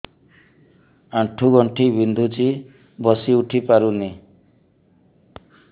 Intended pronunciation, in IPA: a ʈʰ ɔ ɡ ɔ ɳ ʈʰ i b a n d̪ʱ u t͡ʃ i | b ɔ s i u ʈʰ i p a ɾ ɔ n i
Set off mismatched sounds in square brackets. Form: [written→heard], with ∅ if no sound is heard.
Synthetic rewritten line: a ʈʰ [ɔ→u] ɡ ɔ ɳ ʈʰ i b [a→i] n d̪ʱ u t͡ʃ i | b ɔ s i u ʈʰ i p a ɾ [ɔ→u] n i